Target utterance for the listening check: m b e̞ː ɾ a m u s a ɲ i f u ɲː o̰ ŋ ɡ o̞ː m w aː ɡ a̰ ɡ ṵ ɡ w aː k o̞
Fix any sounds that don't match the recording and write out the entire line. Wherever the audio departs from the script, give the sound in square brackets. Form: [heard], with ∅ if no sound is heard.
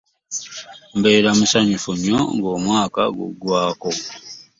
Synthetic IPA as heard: m b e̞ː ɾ a m u s a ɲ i f u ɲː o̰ ŋ ɡ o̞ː m w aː [k] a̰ ɡ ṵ ɡ w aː k o̞